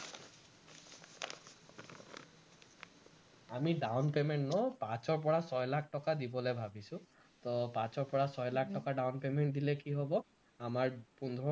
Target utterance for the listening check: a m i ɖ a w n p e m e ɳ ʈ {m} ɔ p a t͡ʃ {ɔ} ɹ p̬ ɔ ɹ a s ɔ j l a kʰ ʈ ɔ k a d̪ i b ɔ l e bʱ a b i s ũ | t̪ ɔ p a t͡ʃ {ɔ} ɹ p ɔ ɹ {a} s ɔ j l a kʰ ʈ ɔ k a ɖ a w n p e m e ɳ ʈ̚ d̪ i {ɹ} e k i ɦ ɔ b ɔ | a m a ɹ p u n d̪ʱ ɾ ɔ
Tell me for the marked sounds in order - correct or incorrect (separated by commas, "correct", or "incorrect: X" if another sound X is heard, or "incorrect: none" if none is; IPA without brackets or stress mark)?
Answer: incorrect: n, correct, correct, correct, incorrect: l